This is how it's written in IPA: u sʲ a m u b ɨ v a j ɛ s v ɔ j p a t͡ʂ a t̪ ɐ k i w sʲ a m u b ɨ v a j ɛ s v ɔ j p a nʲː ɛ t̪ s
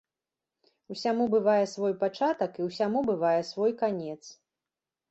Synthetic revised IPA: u sʲ a m u b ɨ v a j ɛ s v ɔ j p a t͡ʂ a t̪ ɐ k i w sʲ a m u b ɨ v a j ɛ s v ɔ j k a nʲ ɛ t̪ s

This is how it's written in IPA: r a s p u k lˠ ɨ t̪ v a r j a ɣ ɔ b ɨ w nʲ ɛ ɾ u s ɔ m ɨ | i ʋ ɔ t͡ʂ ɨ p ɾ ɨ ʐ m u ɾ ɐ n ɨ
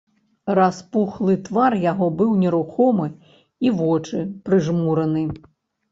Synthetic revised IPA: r a s p u x lˠ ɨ t̪ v a r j a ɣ ɔ b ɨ w nʲ ɛ ɾ u x ɔ m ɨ | i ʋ ɔ t͡ʂ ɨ p ɾ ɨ ʐ m u ɾ ɐ n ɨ

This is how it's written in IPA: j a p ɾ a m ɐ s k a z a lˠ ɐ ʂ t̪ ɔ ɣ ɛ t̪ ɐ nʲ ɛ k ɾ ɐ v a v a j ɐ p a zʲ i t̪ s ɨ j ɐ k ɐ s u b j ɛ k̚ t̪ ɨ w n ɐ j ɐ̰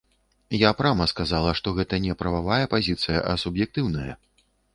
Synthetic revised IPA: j a p ɾ a m ɐ s k a z a lˠ ɐ ʂ t̪ ɔ ɣ ɛ t̪ ɐ nʲ ɛ p ɾ ɐ v a v a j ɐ p a zʲ i t̪ s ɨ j ɐ ʔ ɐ s u b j ɛ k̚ t̪ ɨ w n ɐ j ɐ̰

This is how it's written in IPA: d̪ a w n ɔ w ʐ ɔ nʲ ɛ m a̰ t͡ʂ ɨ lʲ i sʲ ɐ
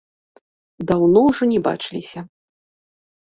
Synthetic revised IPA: d̪ a w n ɔ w ʐ ɔ nʲ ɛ b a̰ t͡ʂ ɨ lʲ i sʲ ɐ

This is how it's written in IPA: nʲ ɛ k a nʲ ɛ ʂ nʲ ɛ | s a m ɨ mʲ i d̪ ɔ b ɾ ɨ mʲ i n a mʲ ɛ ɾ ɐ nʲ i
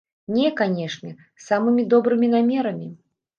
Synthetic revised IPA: nʲ ɛ k a nʲ ɛ ʂ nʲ ɛ | s a m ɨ mʲ i d̪ ɔ b ɾ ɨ mʲ i n a mʲ ɛ ɾ ɐ mʲ i

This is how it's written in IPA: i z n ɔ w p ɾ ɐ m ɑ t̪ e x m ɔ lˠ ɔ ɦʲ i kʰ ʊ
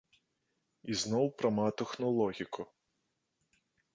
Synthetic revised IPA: i z n ɔ w p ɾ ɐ m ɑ t̪ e x n ɔ lˠ ɔ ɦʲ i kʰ ʊ

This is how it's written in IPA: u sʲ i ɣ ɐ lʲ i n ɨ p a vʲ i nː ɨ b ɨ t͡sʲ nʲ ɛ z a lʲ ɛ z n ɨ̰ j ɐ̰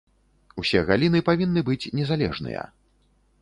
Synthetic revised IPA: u sʲ ɛ ɣ a lʲ i n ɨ p a vʲ i nː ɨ b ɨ t͡sʲ nʲ ɛ z a lʲ ɛ ʐ n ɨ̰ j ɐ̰

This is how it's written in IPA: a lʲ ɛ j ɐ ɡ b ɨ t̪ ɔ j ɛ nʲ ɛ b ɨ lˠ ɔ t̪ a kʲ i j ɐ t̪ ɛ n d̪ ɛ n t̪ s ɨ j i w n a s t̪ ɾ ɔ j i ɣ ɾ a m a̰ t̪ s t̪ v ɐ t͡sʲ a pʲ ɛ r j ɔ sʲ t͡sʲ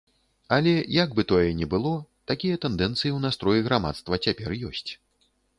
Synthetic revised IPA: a lʲ ɛ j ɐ ɡ b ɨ t̪ ɔ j ɛ nʲ ɛ b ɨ lˠ ɔ t̪ a kʲ i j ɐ t̪ ɛ n d̪ ɛ n t̪ s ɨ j i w n a s t̪ ɾ ɔ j i ɣ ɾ a m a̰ t̪ s t̪ v ɐ t͡sʲ a pʲ ɛ r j ɔ sʲ t͡sʲ

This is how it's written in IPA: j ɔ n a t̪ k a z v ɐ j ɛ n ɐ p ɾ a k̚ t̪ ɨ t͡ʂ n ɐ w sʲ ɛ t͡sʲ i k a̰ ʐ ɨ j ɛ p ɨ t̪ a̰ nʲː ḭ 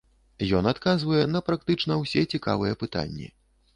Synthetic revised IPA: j ɔ n a t̪ k a z v ɐ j ɛ n ɐ p ɾ a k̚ t̪ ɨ t͡ʂ n ɐ w sʲ ɛ t͡sʲ i k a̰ v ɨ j ɛ p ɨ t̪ a̰ nʲː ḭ

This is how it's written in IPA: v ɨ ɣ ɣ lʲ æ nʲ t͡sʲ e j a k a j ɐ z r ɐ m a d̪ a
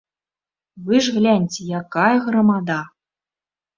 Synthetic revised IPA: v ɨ ʐ ɣ lʲ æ nʲ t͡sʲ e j a k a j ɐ ɣ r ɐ m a d̪ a

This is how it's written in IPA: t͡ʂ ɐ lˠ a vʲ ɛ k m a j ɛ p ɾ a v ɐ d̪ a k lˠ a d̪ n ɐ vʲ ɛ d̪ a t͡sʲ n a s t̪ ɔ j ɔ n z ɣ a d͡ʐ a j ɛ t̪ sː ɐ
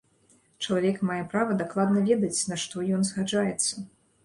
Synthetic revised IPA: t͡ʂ ɐ lˠ a vʲ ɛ k m a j ɛ p ɾ a v ɐ d̪ a k lˠ a d̪ n ɐ vʲ ɛ d̪ ɐ t͡sʲ n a ʂ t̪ ɔ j ɔ n z ɣ a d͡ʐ a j ɛ t̪ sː ɐ

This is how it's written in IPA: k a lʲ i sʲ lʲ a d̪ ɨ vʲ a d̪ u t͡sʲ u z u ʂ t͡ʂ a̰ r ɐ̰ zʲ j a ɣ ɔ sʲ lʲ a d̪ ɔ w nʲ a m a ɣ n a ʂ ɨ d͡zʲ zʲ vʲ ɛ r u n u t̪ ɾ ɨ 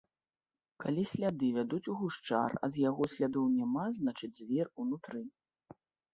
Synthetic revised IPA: k a lʲ i sʲ lʲ a d̪ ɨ vʲ a d̪ u t͡sʲ u ɣ u ʂ t͡ʂ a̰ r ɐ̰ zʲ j a ɣ ɔ sʲ lʲ a d̪ ɔ w nʲ a m a z n a t͡ʂ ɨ d͡zʲ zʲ vʲ ɛ r u n u t̪ ɾ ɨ

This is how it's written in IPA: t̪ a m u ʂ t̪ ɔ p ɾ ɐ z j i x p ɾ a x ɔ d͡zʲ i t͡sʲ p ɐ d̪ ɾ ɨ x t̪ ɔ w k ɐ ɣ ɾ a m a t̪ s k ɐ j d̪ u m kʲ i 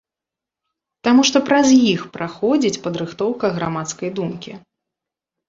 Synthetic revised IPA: t̪ a m u ʂ t̪ ɔ p ɾ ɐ z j i x p ɾ a x ɔ d͡zʲ i t͡sʲ p ɐ d̪ ɾ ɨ x t̪ ɔ w k ɐ ɣ ɾ a m a t̪ s k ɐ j d̪ u m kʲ i

